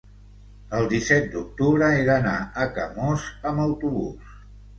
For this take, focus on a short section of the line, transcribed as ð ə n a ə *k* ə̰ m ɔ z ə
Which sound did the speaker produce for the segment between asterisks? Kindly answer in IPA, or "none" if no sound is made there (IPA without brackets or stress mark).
k